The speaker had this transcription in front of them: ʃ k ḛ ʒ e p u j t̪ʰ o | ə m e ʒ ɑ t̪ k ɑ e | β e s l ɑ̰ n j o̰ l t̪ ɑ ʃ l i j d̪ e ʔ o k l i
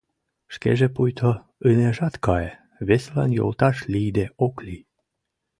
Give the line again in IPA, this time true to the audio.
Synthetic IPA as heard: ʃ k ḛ ʒ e p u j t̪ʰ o | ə n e ʒ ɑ t̪ k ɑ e | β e s l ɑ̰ n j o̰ l t̪ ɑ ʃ l i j d̪ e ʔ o k l i